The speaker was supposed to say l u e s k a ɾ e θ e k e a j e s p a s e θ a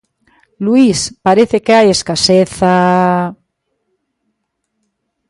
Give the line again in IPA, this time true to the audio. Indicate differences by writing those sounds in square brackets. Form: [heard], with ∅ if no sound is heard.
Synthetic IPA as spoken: l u [i] s [p] a ɾ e θ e k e a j e s [k] a s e θ a